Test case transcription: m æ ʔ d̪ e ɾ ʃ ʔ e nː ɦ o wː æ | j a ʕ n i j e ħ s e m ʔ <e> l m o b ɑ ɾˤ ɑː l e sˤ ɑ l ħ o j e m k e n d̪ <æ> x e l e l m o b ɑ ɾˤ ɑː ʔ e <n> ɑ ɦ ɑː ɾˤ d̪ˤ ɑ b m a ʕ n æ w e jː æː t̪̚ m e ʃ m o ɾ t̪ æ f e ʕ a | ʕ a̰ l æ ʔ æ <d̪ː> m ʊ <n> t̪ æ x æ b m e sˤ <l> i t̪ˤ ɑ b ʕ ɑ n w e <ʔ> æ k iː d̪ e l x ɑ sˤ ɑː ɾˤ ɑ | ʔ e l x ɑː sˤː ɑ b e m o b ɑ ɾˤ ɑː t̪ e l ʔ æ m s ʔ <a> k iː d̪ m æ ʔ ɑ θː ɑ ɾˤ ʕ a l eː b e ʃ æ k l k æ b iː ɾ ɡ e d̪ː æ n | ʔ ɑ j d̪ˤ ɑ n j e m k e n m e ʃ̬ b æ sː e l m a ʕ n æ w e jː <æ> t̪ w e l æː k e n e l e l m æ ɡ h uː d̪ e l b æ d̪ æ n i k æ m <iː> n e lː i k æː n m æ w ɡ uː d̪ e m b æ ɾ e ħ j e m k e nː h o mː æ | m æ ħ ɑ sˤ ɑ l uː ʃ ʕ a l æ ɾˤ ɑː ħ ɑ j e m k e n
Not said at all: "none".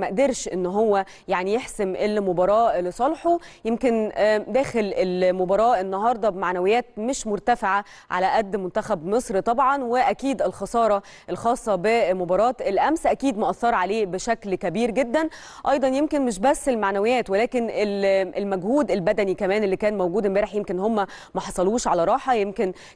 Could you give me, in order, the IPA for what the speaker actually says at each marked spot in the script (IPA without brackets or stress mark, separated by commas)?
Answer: e, æː, nː, d̪ː, n, ɾ, ʔ, æ, æː, æː